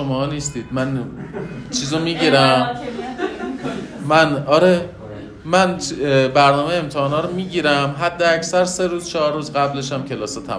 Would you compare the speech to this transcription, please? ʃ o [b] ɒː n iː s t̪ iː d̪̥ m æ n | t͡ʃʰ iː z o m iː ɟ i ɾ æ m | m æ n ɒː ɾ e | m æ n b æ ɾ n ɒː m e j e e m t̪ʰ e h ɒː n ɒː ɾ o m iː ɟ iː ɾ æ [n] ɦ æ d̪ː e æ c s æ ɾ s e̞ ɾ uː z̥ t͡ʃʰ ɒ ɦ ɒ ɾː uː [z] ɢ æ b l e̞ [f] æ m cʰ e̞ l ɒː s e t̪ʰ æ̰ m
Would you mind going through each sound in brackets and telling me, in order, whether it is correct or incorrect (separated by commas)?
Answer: incorrect, incorrect, correct, incorrect